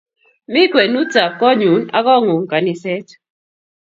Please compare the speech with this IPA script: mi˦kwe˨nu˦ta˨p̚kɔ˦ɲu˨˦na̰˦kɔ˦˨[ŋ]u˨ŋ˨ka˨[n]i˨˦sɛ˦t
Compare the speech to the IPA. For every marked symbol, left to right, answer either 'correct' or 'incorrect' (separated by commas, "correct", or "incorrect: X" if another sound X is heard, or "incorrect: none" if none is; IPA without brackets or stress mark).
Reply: correct, correct